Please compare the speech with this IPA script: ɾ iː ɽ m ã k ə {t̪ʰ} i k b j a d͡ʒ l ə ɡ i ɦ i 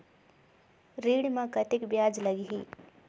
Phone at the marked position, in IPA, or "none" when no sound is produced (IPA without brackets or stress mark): t̪